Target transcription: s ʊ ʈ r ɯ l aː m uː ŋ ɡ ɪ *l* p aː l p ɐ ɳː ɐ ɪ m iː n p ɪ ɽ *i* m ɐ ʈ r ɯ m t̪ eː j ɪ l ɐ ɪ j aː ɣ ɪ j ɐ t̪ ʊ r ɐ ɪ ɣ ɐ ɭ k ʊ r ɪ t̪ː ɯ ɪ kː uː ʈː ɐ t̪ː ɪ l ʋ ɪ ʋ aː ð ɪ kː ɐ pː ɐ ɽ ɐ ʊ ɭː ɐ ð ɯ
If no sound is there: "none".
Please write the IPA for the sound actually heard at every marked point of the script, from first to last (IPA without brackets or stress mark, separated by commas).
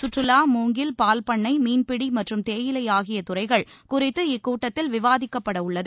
l, i